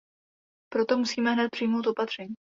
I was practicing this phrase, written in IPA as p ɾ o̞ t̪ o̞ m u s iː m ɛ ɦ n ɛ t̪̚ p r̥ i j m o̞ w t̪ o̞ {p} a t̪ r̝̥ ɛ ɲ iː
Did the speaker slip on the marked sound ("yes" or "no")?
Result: no